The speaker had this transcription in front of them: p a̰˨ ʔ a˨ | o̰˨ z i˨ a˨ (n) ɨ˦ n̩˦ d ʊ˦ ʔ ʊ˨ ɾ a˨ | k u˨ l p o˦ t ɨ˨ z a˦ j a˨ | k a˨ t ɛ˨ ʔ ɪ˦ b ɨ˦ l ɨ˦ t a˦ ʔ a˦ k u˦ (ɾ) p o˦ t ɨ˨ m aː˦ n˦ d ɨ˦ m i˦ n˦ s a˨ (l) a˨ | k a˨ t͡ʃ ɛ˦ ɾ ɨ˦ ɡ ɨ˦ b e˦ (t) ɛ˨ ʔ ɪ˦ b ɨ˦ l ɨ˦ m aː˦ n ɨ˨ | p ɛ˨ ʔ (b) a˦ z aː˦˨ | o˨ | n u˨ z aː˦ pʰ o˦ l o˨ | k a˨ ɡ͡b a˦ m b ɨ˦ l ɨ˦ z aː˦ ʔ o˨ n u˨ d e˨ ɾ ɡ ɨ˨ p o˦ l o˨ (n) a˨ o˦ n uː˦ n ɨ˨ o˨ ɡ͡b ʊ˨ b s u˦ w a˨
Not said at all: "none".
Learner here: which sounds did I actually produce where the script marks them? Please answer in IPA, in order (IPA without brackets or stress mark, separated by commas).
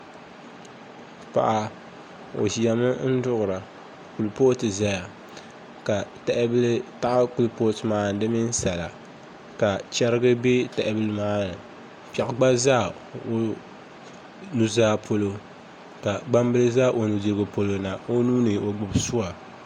m, l, l, t, ɡ͡b, n